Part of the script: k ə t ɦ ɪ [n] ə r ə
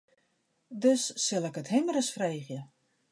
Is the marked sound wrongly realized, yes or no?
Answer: yes